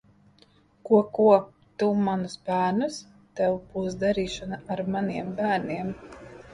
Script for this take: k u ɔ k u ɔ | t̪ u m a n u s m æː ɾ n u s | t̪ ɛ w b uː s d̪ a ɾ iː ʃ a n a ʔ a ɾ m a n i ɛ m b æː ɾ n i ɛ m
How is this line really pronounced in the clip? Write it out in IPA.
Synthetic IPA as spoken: k u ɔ k u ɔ | t̪ u m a n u s b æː ɾ n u s | t̪ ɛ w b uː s d̪ a ɾ iː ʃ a n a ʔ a ɾ m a n i ɛ m b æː ɾ n i ɛ m